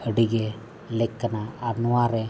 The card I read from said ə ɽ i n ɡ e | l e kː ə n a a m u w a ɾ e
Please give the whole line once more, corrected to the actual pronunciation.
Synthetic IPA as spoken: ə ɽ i ɡ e | l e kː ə n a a n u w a ɾ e